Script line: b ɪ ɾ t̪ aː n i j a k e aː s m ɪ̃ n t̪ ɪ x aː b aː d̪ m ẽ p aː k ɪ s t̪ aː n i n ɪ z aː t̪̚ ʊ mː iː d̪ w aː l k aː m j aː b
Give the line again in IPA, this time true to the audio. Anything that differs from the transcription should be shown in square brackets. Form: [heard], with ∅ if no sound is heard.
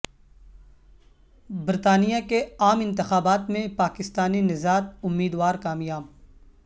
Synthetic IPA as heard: b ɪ ɾ t̪ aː n i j a k e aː [∅] m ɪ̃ n t̪ ɪ x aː b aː [t̪] m ẽ p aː k ɪ s t̪ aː n i n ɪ z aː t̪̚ ʊ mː iː d̪ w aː [ɾ] k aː m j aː b